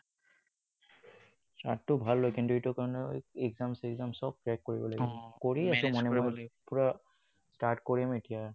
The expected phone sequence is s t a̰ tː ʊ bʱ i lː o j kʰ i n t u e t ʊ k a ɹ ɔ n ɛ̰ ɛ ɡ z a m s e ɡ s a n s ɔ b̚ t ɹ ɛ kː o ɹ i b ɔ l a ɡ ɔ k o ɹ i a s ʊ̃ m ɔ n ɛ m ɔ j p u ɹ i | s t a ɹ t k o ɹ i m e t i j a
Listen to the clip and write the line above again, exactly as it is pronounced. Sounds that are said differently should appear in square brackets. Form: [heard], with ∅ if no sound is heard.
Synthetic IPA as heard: s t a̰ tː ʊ bʱ [a] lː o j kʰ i n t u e t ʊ k a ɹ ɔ n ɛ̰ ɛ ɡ z a m s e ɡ [z] a [m] s ɔ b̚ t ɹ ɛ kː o ɹ i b ɔ l a ɡ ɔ k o ɹ i a s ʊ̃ m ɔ n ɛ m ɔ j p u ɹ [a] | s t a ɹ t k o ɹ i m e t i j a